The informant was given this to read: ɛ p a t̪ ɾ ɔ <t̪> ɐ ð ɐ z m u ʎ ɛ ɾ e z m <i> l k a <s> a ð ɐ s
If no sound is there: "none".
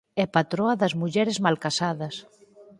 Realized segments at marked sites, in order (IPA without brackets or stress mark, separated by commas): none, a, s